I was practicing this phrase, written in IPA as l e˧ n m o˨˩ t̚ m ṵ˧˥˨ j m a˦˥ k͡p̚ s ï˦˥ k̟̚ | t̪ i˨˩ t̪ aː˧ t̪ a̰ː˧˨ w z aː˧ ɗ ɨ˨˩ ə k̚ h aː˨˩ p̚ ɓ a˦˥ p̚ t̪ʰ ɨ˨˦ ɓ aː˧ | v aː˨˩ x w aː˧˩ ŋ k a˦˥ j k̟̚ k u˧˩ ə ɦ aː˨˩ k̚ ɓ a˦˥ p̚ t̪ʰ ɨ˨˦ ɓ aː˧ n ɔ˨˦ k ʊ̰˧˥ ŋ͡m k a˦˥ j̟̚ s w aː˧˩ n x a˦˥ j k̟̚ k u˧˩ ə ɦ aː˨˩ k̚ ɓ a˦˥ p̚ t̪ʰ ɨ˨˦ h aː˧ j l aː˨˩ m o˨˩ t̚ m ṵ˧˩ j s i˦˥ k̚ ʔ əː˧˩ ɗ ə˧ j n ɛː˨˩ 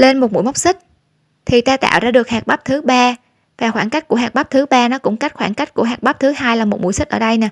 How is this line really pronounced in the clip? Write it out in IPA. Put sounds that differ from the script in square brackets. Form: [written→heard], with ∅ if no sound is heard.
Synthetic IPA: l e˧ n m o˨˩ t̚ m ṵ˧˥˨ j m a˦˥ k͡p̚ s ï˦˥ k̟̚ | [t̪→t̪ʰ] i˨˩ t̪ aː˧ t̪ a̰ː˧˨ w z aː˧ ɗ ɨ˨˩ ə k̚ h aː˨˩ [p̚→k̚] ɓ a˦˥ p̚ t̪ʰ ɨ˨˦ ɓ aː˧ | v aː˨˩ x w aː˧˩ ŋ k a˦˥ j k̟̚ k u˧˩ ə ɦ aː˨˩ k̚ ɓ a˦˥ p̚ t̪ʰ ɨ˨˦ ɓ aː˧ n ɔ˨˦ k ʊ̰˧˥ ŋ͡m k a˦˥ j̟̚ [s→x] w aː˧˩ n [x→k] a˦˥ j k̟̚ k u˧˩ ə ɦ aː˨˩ k̚ ɓ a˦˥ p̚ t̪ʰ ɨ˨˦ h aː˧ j l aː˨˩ m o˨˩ t̚ m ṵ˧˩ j s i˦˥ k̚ ʔ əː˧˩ ɗ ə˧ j n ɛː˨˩